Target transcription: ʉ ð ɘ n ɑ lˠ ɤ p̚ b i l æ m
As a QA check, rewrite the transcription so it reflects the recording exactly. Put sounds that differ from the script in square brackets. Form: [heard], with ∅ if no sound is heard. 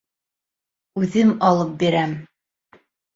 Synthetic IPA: ʉ ð ɘ [m] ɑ lˠ ɤ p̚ b i [ɾ] æ m